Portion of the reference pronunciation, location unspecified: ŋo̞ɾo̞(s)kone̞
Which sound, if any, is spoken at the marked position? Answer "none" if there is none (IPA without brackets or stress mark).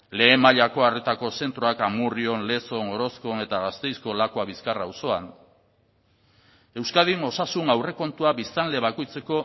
s